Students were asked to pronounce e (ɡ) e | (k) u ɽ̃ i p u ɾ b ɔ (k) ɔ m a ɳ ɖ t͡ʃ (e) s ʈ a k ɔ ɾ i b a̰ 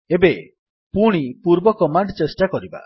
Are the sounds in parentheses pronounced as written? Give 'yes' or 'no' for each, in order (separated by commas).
no, no, yes, yes